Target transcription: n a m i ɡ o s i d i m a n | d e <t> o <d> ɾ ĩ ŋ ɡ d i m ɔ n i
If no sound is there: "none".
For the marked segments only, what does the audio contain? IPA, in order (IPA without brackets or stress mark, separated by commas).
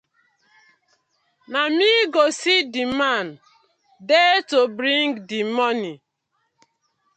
t, b